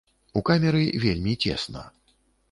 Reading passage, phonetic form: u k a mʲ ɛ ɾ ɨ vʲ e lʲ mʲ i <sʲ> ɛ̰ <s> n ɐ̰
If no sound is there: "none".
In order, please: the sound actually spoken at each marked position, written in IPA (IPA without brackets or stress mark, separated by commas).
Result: t͡sʲ, s